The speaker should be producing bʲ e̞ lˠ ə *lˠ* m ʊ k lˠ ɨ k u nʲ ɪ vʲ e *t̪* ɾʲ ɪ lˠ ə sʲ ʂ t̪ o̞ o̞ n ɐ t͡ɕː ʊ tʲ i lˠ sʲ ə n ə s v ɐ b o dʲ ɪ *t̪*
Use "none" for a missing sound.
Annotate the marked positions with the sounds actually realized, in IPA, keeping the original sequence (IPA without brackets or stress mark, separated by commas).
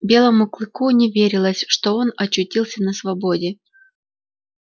none, none, none